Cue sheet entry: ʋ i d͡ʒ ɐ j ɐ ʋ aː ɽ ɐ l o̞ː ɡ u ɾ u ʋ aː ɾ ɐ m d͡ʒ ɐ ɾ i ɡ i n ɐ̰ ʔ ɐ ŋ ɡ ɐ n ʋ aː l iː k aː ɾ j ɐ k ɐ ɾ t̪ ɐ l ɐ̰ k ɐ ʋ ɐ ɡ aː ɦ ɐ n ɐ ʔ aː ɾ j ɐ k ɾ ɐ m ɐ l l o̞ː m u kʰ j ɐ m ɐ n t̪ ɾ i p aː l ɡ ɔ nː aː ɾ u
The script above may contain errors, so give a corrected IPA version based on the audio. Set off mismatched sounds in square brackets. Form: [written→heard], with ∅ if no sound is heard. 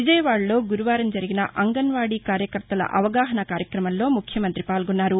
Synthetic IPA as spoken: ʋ i d͡ʒ ɐ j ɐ ʋ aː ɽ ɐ l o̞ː ɡ u ɾ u ʋ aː ɾ ɐ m d͡ʒ ɐ ɾ i ɡ i n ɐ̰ ʔ ɐ ŋ ɡ ɐ n ʋ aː [l→ɽ] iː k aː ɾ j ɐ k ɐ ɾ t̪ ɐ l ɐ̰ [k→ʔ] ɐ ʋ ɐ ɡ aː ɦ ɐ n ɐ [ʔ→k] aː ɾ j ɐ k ɾ ɐ m ɐ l l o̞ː m u kʰ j ɐ m ɐ n t̪ ɾ i p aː l ɡ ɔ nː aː ɾ u